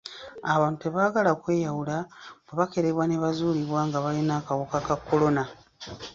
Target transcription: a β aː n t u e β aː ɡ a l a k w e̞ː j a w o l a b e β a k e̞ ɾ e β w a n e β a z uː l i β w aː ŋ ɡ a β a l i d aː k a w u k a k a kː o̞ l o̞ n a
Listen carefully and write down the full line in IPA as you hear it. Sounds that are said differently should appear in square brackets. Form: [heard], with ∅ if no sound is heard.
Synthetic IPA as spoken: a β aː n t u e β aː ɡ a l a k w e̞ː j a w [u] l a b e β a k e̞ ɾ e β w a n e β a z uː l i β w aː ŋ ɡ a β a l i [n] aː k a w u k a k a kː o̞ l o̞ n a